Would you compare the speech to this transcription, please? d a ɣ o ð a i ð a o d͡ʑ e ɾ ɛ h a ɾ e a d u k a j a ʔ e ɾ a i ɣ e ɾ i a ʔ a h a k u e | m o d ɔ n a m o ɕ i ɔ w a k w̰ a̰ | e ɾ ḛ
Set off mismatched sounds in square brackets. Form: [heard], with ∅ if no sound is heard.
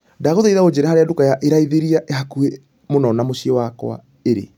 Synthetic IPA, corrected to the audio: d a ɣ o ð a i ð a o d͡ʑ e ɾ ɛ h a ɾ e a d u k a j a ʔ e ɾ a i [ð] e ɾ i a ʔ [e] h a k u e | m o [n] ɔ n a m o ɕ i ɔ w a k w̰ a̰ | e ɾ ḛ